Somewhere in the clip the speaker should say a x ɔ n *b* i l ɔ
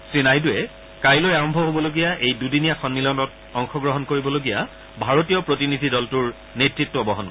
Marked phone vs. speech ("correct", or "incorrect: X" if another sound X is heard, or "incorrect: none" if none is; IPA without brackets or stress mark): incorrect: m